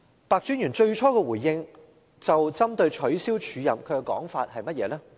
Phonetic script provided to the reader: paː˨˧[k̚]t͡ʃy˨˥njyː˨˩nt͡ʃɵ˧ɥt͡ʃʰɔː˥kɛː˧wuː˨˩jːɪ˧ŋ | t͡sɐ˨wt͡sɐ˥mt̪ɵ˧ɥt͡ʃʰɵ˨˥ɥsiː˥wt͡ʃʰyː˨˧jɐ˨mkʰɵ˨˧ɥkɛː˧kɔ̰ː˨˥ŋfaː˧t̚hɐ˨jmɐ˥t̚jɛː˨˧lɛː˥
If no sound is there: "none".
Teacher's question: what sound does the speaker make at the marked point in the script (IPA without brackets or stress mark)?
k̚